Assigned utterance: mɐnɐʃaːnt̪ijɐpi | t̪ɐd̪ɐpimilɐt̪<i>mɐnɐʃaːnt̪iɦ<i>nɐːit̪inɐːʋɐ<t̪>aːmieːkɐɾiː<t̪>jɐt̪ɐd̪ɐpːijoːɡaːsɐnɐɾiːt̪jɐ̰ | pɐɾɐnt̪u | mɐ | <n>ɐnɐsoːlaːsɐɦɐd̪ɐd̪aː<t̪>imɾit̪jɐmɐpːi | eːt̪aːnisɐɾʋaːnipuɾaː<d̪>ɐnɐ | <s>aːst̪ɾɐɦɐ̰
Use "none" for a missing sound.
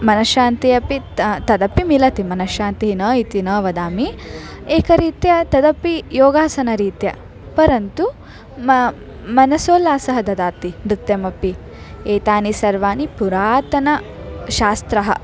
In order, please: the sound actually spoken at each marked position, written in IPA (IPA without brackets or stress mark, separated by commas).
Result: i, i, d̪, t̪, m, t̪, t̪, ʃ